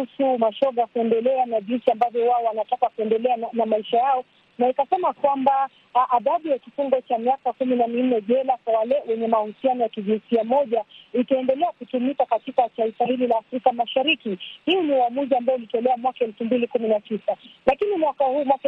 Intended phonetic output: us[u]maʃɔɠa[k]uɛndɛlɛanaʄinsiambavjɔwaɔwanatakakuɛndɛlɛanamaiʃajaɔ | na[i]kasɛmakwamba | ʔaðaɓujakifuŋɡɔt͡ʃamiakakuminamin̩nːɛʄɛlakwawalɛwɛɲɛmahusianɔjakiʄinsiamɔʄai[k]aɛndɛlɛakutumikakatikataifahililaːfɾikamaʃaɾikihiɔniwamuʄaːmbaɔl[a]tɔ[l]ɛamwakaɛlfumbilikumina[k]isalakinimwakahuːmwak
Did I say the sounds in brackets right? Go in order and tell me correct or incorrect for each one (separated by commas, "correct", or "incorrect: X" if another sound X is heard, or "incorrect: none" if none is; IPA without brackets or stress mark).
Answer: correct, correct, correct, incorrect: t, incorrect: i, correct, incorrect: t